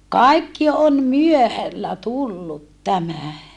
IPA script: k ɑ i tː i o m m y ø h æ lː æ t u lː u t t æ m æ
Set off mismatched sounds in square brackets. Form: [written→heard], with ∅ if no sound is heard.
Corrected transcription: k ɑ i [tː→kː] i o m m y ø h æ lː æ t u lː u t t æ m æ